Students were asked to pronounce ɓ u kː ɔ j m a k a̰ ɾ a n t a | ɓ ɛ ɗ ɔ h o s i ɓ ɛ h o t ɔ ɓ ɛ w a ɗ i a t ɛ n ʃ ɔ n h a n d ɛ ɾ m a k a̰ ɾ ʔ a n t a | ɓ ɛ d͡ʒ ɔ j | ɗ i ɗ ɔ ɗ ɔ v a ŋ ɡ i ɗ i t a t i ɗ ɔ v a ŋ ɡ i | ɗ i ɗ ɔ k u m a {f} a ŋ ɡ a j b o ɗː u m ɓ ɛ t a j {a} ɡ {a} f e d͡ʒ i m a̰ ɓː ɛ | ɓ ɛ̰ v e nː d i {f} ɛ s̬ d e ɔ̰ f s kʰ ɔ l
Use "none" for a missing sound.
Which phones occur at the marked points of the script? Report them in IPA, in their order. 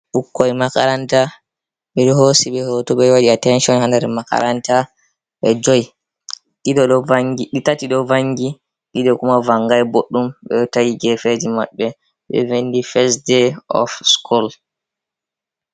v, i, ɛ, f

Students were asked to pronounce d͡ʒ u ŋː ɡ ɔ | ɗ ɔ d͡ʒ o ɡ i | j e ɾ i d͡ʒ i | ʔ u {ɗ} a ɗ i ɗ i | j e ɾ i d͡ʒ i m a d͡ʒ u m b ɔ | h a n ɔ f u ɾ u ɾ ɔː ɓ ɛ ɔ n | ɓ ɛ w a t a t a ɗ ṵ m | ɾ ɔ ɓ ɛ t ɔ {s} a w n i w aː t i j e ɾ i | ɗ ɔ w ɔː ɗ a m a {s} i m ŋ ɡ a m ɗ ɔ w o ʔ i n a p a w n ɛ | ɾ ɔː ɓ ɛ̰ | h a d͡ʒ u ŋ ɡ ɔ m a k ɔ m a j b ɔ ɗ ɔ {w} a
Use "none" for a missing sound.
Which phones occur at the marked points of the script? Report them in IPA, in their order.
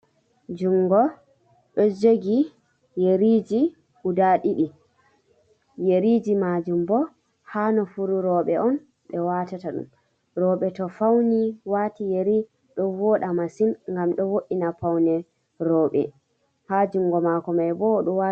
d, f, s, w

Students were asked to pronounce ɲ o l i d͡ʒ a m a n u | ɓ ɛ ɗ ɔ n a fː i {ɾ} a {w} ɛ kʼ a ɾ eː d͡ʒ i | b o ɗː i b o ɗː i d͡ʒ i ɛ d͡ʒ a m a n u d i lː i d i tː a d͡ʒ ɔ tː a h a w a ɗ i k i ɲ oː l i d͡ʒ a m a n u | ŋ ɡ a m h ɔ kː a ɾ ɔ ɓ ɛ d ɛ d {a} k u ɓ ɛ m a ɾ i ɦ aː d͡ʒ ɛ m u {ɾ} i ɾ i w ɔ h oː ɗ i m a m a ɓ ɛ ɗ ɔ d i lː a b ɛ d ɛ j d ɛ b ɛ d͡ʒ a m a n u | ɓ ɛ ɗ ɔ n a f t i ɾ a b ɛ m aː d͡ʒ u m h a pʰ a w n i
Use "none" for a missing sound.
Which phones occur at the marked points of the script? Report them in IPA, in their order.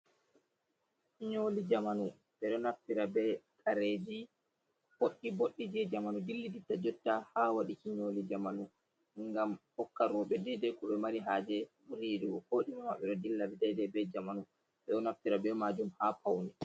ɾ, b, ɛ, ɾ

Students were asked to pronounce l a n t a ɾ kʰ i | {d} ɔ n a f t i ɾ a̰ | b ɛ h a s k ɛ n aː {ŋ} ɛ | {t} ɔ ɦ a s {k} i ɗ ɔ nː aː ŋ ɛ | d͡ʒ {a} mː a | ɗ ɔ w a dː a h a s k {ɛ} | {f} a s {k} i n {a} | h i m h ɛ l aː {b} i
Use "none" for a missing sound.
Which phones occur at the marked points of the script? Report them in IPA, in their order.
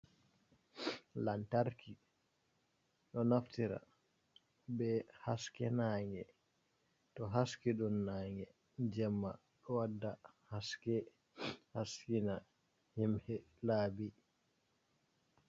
ɗ, ŋ, t, k, ɛ, ɛ, h, k, a, b

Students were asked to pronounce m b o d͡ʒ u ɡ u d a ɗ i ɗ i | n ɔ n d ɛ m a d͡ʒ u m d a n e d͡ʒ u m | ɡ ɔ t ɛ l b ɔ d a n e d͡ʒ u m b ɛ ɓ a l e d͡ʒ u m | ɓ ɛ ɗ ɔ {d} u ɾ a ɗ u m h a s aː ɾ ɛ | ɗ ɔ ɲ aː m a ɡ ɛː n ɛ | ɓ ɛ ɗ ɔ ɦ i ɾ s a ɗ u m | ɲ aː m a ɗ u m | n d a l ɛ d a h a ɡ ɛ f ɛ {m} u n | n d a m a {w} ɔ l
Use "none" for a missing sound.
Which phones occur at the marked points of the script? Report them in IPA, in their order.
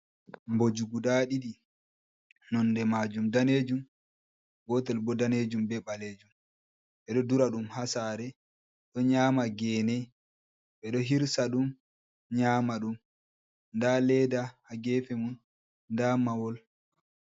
d, m, w

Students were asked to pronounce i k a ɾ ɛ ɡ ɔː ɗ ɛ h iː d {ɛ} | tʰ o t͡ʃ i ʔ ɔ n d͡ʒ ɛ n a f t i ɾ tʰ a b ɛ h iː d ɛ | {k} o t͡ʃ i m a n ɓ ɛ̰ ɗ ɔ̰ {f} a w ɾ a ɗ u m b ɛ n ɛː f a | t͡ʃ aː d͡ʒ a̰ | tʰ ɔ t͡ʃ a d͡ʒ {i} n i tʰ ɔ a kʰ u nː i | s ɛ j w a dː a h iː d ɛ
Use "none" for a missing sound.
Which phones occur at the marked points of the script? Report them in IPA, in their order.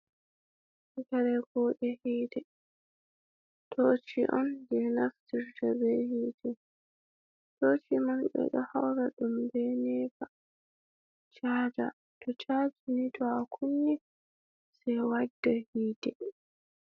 ɛ, t, h, i

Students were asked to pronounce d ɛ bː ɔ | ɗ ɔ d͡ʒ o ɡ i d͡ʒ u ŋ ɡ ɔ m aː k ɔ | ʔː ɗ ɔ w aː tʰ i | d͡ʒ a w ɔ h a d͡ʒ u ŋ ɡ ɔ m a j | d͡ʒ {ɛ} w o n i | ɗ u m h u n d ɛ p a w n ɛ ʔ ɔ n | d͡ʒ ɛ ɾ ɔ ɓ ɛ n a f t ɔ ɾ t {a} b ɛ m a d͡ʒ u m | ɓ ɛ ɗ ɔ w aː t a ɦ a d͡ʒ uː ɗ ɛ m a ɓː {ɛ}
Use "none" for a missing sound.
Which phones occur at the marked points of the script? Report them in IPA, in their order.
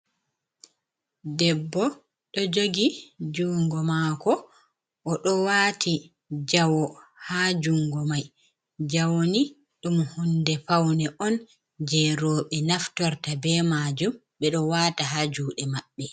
a, a, ɛ

